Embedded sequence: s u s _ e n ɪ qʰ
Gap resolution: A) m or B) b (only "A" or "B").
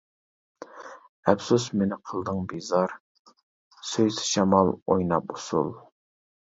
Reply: A